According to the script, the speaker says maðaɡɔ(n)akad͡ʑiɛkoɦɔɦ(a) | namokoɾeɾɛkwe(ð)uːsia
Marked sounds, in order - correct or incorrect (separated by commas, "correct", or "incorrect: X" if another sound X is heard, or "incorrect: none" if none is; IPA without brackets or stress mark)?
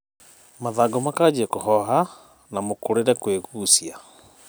incorrect: m, correct, incorrect: ɣ